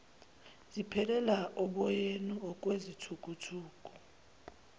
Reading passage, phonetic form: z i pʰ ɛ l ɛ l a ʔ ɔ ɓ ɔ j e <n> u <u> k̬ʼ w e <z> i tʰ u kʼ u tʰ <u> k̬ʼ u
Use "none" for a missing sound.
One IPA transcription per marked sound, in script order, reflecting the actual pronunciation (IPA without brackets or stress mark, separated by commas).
n, ɔ, z, uː